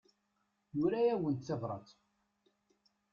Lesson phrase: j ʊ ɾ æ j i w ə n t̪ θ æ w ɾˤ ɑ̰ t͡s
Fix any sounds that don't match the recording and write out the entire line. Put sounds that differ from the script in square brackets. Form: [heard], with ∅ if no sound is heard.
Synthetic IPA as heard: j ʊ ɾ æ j [æ] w ə n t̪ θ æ [v] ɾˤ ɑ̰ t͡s